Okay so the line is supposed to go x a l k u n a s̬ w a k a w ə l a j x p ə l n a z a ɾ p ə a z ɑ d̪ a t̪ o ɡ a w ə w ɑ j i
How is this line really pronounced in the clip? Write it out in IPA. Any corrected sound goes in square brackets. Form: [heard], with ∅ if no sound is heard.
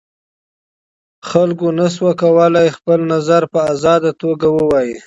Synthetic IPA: x a l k [o] n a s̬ w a k a w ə l a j x p ə l n a z a ɾ p ə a z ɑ d̪ a t̪ o ɡ a w ə w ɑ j i